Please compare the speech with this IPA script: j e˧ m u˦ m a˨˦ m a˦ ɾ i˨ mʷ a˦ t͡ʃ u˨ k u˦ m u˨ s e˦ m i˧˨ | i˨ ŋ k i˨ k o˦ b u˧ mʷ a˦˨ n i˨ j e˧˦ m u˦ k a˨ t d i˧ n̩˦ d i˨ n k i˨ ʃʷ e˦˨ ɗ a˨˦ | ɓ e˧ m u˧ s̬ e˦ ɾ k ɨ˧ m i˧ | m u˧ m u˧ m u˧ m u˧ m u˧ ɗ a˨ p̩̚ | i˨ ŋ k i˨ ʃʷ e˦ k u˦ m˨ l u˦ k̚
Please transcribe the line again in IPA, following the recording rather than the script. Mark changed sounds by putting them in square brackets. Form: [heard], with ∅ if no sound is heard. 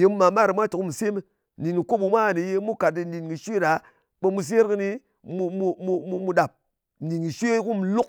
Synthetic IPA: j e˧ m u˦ m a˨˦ m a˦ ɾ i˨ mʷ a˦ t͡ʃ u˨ k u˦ m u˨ s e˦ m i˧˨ | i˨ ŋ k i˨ k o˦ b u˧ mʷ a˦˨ n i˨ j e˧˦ m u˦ k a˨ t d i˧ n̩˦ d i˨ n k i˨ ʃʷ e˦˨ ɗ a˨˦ | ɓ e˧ m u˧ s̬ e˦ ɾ k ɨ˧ [n] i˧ | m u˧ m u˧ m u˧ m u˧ m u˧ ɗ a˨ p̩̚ | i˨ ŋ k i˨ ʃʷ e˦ k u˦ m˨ l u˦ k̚